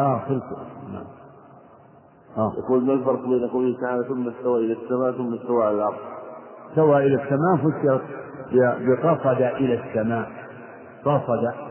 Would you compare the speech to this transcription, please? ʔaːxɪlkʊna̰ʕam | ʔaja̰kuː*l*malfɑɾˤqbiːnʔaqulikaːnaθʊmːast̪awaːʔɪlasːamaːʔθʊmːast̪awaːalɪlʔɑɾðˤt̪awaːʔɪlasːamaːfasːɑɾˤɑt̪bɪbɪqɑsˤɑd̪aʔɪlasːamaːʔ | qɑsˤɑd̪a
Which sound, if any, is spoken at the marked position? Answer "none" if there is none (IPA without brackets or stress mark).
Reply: l